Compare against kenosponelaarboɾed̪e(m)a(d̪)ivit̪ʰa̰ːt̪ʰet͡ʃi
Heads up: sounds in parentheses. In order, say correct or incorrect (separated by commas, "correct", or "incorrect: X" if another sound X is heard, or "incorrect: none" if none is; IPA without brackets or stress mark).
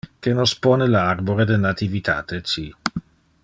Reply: incorrect: n, incorrect: t̪